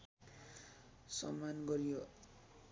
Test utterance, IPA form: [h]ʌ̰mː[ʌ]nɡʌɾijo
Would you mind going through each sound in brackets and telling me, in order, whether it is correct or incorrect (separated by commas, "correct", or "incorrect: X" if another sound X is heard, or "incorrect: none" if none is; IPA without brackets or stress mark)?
incorrect: s, incorrect: a